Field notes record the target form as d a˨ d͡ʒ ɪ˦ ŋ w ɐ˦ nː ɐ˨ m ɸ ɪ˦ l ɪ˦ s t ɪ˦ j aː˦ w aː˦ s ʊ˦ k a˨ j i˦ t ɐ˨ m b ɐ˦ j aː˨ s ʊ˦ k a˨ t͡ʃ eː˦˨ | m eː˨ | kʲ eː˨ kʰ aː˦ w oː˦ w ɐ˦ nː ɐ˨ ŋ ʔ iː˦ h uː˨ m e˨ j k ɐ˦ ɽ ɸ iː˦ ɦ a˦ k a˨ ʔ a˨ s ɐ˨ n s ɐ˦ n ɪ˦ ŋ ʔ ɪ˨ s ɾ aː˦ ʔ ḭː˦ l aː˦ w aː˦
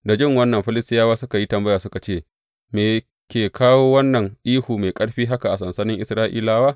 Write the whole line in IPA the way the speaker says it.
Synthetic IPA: d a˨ d͡ʒ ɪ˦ ŋ w ɐ˦ nː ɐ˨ m ɸ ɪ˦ l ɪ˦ s t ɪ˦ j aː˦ w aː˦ s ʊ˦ k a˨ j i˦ t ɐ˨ m b ɐ˦ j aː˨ s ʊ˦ k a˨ t͡ʃ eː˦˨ | m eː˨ | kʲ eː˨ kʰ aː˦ w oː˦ w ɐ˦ nː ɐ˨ ŋ ʔ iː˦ h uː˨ m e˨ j kʼ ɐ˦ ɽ ɸ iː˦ ɦ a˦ k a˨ ʔ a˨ s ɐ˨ n s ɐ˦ n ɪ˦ ŋ ʔ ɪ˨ s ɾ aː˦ ʔ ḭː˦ l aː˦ w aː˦